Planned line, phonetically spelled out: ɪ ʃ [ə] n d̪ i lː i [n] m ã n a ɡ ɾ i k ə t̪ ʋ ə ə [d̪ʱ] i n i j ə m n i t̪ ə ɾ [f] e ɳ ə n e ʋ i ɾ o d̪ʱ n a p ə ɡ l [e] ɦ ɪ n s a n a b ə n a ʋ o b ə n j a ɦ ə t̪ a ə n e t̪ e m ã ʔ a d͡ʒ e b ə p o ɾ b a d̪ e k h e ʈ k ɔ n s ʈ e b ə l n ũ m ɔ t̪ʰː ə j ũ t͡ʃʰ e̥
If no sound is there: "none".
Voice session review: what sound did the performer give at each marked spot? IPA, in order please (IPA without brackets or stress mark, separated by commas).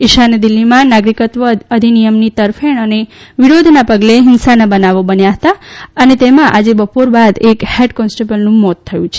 a, none, d̪ʱ, f, e